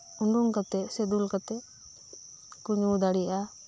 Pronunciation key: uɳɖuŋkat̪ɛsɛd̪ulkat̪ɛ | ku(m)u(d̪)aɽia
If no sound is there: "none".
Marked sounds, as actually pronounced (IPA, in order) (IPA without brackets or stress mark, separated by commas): ɲ, d̪